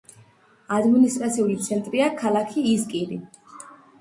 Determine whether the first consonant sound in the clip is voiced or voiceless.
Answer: voiced